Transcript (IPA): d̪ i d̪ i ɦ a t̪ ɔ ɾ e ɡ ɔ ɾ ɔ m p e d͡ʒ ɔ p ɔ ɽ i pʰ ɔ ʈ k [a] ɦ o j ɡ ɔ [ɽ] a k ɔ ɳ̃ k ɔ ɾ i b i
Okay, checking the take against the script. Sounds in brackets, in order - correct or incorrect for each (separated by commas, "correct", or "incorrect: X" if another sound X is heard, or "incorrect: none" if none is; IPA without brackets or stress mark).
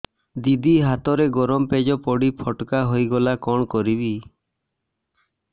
correct, incorrect: l